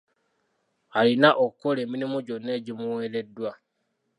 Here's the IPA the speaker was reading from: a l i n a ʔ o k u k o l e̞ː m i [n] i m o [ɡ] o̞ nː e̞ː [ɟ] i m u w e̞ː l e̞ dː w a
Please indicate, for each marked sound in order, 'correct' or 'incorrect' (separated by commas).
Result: correct, incorrect, correct